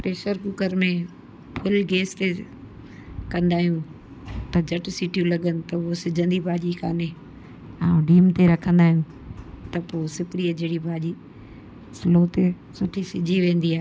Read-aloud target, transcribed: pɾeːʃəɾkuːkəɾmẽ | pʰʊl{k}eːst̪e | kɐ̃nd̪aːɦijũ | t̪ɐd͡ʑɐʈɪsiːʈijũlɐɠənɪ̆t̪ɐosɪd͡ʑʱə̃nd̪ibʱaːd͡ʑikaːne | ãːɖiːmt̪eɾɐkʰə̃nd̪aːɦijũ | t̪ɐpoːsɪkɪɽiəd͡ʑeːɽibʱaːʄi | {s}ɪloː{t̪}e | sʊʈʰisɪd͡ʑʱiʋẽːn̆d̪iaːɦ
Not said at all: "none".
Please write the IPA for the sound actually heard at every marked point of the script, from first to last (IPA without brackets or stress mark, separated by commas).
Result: ɡ, s, t̪